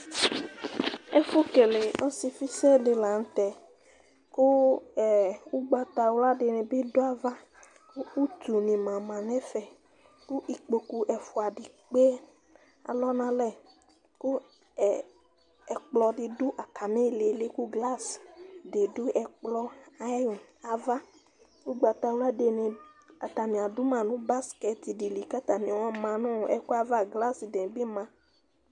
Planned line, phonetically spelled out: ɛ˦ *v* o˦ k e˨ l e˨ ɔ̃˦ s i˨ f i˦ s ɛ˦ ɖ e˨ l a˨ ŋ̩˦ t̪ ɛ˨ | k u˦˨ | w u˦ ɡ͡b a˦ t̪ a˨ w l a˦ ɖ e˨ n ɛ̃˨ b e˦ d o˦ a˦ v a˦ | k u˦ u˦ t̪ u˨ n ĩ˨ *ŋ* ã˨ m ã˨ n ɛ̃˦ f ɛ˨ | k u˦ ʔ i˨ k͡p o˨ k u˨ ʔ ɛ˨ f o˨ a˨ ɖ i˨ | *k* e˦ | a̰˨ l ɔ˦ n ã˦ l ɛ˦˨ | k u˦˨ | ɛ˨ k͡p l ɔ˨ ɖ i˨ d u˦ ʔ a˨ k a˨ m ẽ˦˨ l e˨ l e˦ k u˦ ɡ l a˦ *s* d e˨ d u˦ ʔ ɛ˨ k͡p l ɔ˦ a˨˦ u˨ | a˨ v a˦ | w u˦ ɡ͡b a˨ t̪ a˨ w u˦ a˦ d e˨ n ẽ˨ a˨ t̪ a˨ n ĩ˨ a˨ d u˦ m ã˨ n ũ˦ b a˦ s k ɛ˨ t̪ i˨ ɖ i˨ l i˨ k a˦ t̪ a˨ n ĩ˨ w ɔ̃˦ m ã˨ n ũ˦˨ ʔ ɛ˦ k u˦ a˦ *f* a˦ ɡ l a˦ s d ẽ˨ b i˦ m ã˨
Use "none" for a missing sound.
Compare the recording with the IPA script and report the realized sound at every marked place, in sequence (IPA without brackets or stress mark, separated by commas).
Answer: f, m, k͡p, s, v